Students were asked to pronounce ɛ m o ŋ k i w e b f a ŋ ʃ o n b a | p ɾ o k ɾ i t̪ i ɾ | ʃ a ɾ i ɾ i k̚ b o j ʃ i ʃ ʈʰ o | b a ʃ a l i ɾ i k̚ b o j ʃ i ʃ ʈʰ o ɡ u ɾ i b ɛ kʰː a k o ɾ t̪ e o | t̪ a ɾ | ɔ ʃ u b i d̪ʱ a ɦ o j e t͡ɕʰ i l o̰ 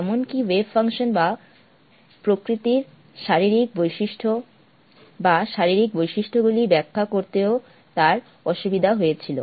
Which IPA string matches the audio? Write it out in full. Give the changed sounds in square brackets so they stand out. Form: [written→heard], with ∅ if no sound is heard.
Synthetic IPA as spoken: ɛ m o [ŋ→n] k i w e b f a ŋ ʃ o n b a | p ɾ o k ɾ i t̪ i ɾ | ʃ a ɾ i ɾ i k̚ b o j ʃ i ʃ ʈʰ o | b a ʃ a [l→ɾ] i ɾ i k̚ b o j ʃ i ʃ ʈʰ o ɡ u [ɾ→l] i b ɛ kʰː a k o ɾ t̪ e o | t̪ a ɾ | ɔ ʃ u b i d̪ʱ a ɦ o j e t͡ɕʰ i l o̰